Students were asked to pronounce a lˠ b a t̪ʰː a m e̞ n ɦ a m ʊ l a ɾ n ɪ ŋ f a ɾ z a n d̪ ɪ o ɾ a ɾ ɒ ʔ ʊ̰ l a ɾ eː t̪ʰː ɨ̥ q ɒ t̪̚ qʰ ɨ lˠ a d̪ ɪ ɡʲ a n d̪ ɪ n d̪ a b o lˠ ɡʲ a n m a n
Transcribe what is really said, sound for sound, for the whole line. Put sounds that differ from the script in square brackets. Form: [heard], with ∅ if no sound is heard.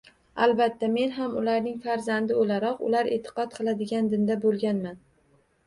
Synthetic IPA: a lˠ b a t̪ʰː a m e̞ n ɦ a m ʊ l a ɾ n ɪ ŋ f a ɾ z a n d̪ ɪ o [l] a ɾ ɒ [q] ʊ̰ l a ɾ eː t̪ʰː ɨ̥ q ɒ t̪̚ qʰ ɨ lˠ a d̪ ɪ ɡʲ a n d̪ ɪ n d̪ a b o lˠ ɡʲ a n m a n